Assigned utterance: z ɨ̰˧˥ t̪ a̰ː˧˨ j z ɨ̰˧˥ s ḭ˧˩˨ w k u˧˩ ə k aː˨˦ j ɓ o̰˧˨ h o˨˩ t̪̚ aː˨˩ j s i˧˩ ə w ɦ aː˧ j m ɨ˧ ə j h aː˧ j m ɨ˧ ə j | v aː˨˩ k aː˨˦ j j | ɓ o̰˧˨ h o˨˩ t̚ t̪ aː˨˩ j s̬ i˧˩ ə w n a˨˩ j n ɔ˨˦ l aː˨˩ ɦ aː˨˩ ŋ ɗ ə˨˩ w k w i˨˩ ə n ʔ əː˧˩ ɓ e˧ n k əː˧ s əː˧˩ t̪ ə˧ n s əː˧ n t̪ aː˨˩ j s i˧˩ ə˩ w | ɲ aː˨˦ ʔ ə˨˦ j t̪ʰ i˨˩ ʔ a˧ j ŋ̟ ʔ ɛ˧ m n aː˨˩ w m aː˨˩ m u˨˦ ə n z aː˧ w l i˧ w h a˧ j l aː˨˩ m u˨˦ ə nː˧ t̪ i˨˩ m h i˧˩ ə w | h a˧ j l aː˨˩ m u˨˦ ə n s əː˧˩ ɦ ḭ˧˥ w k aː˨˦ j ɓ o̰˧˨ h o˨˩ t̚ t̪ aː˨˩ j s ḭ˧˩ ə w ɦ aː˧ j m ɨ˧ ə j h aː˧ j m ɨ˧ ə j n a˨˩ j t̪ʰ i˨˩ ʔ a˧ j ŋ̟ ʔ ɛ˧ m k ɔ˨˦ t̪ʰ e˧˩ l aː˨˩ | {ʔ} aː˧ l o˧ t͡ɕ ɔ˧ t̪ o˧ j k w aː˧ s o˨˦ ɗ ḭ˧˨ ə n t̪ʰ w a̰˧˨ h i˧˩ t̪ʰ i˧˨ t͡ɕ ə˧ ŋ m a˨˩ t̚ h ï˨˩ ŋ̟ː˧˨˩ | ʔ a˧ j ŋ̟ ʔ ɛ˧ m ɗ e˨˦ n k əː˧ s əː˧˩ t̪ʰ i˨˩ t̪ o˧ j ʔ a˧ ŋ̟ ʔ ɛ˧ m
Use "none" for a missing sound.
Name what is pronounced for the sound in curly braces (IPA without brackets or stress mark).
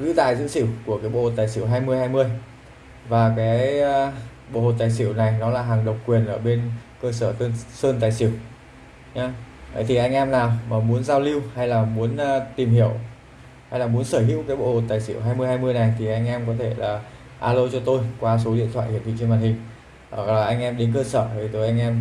ʔ